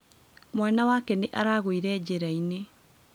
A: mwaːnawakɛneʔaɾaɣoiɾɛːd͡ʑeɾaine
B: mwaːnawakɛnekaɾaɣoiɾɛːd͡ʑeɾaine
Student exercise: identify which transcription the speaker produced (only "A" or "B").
A